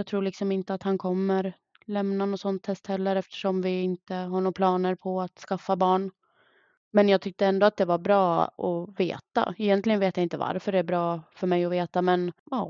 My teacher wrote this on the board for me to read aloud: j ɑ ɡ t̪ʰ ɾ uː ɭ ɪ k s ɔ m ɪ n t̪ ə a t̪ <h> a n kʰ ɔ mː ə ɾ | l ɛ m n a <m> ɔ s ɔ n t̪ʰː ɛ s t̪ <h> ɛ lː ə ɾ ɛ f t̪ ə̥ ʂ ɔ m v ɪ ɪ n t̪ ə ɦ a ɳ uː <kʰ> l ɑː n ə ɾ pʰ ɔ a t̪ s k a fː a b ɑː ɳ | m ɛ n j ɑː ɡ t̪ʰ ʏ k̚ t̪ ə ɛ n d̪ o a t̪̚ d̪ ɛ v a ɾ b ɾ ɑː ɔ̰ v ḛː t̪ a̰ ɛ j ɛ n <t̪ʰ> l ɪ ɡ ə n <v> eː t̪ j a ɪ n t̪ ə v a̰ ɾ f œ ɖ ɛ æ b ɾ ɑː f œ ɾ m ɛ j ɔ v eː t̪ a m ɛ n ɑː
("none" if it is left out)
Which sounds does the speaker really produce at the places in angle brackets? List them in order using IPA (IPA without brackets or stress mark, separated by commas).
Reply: h, n, h, pʰ, t̪, v